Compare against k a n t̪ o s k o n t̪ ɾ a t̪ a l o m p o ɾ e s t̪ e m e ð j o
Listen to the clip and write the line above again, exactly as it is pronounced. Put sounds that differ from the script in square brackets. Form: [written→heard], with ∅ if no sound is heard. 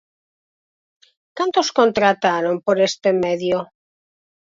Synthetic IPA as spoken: k a n t̪ o s k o n t̪ ɾ a t̪ a [l→ɾ] o m p o ɾ e s t̪ e m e ð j o